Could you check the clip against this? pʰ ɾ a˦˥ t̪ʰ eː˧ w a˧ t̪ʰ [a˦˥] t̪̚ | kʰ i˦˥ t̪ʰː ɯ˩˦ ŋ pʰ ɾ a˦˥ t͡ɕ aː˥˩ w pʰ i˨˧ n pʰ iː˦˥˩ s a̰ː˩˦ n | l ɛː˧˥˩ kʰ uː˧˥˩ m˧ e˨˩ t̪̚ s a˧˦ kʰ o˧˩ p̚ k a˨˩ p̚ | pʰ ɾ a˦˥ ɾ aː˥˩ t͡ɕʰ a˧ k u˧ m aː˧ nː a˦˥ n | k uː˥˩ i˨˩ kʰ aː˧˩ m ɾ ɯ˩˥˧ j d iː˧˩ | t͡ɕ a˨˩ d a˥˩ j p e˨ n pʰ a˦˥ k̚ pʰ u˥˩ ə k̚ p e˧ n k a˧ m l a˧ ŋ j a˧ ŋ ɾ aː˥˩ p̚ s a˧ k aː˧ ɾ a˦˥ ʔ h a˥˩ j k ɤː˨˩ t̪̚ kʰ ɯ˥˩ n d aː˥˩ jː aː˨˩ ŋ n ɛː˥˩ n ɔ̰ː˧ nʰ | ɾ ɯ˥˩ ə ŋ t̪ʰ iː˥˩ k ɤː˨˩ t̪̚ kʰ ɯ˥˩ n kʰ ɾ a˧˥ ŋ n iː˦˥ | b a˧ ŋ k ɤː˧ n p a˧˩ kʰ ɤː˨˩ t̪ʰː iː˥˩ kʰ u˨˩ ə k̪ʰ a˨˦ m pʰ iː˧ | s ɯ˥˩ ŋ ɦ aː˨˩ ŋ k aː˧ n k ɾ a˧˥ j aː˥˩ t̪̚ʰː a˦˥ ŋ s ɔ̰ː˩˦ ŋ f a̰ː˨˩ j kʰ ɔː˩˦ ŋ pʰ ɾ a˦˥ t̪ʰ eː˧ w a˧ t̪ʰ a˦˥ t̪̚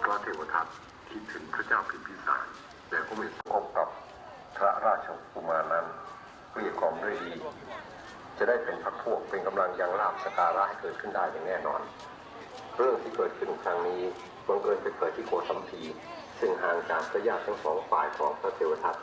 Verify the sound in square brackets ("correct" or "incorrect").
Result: correct